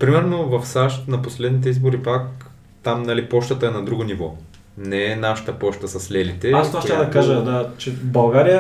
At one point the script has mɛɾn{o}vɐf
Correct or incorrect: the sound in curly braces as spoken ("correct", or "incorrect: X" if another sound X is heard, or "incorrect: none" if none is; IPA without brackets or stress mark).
correct